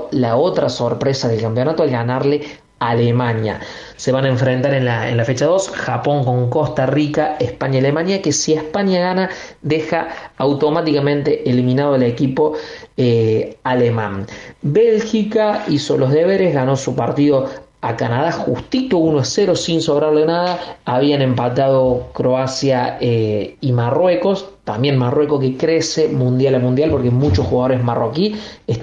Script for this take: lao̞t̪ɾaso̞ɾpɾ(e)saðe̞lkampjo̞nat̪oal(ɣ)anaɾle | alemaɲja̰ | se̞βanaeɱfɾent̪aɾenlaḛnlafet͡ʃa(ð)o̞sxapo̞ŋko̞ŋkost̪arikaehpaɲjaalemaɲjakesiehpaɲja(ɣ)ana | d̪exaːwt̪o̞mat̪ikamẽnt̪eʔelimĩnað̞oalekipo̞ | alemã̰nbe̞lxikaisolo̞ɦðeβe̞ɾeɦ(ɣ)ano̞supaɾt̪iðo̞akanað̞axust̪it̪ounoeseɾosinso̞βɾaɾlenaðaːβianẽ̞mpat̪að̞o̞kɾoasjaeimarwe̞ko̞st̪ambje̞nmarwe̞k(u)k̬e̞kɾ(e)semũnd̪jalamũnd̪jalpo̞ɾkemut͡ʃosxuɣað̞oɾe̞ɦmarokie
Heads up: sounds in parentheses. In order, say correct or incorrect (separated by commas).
correct, correct, correct, correct, correct, incorrect, correct